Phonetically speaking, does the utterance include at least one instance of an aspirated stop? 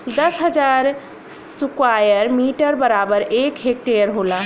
no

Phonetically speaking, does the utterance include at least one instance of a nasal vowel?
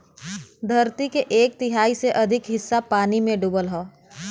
yes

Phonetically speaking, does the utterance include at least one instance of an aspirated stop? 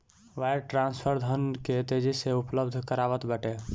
yes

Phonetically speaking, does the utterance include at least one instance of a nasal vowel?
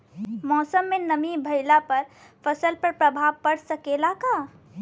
no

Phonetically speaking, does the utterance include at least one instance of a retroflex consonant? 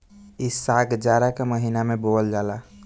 no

